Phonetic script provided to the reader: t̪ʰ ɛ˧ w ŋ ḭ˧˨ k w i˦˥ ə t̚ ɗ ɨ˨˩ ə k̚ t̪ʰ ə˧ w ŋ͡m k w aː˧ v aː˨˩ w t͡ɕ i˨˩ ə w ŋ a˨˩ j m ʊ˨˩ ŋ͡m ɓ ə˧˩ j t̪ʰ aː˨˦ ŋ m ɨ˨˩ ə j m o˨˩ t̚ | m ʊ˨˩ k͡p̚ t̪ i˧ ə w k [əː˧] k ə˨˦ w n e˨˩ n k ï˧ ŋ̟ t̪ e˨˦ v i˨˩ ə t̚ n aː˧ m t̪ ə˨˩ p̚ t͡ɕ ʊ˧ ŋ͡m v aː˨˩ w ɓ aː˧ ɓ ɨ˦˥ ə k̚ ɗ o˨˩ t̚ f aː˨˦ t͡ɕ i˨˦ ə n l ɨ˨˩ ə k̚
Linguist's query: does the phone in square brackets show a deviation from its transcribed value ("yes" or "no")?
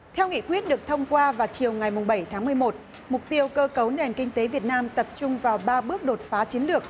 no